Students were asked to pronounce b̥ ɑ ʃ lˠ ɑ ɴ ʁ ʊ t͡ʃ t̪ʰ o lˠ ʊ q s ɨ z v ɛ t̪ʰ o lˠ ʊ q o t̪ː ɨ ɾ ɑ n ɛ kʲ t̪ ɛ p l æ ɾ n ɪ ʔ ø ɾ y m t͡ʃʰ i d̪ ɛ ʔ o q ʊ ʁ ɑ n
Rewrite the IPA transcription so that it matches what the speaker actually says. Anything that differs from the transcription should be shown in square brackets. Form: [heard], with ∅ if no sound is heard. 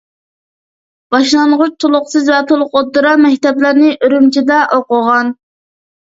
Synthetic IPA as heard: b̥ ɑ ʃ lˠ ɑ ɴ ʁ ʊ t͡ʃ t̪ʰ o lˠ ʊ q s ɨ z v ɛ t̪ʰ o lˠ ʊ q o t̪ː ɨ ɾ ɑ [m] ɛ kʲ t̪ ɛ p l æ ɾ n ɪ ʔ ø ɾ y m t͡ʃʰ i d̪ ɛ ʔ o q ʊ ʁ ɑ n